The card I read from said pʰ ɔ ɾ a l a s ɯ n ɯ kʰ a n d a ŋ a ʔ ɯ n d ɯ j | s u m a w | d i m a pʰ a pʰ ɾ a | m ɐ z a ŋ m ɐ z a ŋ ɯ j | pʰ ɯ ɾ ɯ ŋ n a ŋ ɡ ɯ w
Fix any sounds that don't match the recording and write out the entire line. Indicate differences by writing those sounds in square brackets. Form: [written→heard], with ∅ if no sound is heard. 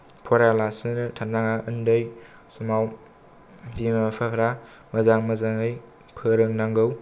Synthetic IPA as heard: pʰ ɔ ɾ a l a s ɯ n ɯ [kʰ→tʰ] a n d a ŋ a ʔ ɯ n d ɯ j | s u m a w | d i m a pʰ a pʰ ɾ a | m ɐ z a ŋ m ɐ z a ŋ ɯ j | pʰ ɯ ɾ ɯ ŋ n a ŋ ɡ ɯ w